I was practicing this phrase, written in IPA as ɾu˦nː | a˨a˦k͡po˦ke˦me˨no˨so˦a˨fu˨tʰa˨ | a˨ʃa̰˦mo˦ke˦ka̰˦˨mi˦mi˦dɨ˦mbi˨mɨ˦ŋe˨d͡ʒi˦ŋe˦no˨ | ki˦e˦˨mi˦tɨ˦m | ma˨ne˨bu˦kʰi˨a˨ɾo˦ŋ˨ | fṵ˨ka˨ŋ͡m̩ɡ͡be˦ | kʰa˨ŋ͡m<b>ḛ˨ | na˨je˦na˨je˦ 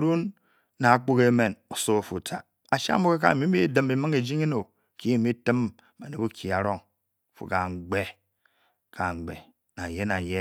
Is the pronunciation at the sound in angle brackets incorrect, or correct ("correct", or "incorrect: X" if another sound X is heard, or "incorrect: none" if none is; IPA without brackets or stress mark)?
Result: incorrect: ɡ͡b